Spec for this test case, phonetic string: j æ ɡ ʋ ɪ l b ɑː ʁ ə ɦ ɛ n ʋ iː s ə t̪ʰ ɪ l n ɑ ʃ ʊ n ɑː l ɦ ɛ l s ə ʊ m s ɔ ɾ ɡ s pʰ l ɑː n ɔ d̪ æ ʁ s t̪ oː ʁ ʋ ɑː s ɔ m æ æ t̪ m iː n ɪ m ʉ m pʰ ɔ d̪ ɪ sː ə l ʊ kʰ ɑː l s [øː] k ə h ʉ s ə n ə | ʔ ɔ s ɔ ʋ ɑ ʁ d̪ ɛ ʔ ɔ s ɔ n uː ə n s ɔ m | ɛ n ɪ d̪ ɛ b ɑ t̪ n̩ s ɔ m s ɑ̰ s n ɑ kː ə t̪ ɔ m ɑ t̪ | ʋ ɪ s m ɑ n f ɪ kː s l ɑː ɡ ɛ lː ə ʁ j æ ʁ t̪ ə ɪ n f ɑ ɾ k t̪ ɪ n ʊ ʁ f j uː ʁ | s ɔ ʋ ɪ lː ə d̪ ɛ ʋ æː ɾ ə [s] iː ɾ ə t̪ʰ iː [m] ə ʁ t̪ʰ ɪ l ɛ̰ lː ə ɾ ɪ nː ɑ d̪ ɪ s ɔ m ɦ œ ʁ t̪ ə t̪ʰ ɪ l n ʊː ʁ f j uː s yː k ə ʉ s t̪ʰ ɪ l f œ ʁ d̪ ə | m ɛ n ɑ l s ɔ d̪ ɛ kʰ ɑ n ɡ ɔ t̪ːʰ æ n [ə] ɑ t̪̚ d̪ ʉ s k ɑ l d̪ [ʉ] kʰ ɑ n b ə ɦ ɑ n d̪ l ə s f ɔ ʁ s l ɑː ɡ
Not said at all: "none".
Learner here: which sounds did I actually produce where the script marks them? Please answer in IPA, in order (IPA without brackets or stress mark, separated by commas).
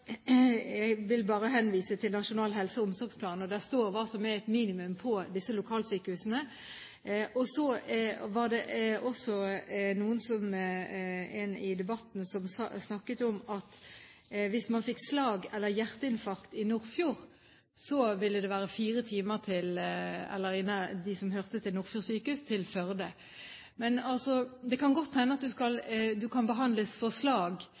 yː, f, m, ə, ʉ